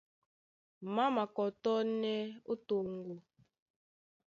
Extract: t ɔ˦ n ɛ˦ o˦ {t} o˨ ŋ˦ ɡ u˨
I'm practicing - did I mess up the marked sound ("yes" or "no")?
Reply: no